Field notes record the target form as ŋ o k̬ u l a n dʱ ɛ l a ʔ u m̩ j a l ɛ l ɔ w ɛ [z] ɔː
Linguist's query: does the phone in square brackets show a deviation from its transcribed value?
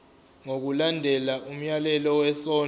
yes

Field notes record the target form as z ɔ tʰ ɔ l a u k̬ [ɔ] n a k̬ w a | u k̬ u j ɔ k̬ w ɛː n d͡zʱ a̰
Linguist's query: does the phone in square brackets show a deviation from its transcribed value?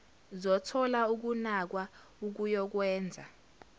yes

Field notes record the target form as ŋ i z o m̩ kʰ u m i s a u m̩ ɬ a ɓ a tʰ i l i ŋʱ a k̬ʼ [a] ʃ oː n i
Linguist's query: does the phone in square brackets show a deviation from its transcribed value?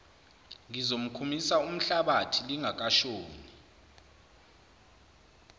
no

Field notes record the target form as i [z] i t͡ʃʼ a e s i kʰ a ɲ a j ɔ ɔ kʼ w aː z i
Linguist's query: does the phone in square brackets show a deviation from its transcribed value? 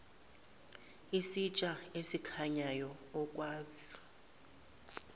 yes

